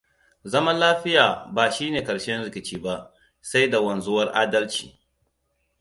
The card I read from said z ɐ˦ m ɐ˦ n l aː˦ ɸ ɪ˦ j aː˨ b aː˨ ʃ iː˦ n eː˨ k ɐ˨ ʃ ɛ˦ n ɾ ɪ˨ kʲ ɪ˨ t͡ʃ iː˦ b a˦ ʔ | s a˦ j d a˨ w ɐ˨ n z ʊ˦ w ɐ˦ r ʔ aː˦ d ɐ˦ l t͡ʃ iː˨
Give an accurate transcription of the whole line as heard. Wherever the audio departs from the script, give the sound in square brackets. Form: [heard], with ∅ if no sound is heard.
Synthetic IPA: z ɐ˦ m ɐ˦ n l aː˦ ɸ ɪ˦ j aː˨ b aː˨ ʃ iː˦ n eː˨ k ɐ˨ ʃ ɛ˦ n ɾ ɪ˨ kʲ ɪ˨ t͡ʃ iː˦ b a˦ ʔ | s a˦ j d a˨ w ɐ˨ n z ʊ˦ w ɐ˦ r ʔ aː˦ d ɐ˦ l t͡ʃ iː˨